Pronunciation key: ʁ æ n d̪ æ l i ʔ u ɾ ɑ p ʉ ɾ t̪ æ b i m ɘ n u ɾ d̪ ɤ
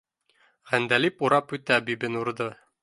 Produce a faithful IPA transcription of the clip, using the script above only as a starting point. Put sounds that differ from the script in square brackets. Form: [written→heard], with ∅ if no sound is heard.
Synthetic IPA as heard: ʁ æ n d̪ æ l i [ʔ→p] u ɾ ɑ p ʉ [ɾ→∅] t̪ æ b i [m→b] ɘ n u ɾ d̪ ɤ